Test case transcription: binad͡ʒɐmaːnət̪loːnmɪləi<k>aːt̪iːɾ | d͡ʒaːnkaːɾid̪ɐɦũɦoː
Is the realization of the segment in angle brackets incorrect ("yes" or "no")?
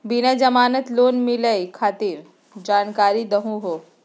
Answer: yes